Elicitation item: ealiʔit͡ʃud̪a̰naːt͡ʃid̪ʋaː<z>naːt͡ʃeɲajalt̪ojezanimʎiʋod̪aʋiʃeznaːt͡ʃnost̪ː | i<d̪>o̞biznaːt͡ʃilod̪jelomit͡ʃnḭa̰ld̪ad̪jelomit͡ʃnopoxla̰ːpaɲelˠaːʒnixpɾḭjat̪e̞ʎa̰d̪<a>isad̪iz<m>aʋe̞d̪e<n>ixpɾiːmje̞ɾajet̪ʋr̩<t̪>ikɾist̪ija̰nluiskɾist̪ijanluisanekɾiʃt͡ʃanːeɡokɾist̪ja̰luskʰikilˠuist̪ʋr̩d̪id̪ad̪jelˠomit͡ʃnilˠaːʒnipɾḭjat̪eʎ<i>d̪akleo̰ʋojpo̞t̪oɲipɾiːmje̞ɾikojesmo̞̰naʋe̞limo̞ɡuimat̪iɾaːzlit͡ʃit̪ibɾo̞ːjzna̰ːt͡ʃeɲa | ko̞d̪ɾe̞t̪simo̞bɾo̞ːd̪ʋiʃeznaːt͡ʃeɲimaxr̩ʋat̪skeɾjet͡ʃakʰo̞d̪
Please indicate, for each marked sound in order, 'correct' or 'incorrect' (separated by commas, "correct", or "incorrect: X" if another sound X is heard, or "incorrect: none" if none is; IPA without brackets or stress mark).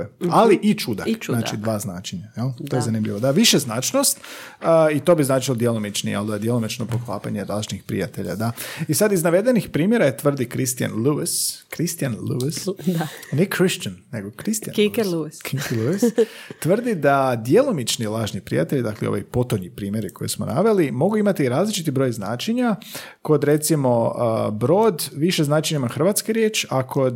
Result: correct, incorrect: t̪, correct, incorrect: n, correct, incorrect: d̪, correct